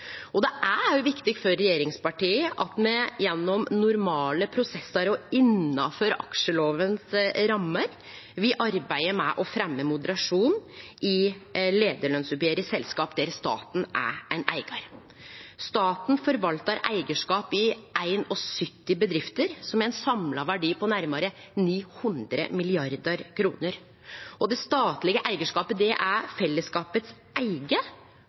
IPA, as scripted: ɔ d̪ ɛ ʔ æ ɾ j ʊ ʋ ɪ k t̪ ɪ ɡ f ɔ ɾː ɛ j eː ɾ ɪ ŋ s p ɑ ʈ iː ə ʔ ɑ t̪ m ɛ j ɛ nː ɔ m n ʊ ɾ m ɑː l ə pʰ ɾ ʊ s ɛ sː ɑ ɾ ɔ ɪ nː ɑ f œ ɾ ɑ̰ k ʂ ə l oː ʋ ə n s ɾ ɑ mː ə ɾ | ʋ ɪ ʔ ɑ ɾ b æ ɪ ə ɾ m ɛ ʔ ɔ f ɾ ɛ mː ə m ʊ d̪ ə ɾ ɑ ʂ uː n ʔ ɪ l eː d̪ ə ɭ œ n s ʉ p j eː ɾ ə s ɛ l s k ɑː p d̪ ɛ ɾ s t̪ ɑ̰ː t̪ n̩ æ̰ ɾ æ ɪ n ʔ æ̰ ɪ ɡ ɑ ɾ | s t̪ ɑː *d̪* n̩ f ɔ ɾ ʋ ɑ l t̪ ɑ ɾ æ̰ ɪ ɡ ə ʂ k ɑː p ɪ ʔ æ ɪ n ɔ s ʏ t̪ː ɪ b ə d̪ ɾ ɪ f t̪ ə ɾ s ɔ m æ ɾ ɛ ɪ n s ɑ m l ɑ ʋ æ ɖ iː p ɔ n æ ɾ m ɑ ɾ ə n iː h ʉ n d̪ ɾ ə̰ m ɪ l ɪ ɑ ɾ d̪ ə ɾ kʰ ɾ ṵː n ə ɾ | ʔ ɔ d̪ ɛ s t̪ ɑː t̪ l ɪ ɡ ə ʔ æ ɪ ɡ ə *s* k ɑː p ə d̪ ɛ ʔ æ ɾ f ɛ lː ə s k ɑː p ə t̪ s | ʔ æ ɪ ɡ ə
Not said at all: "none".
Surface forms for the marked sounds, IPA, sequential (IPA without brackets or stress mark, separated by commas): t̪, ʂ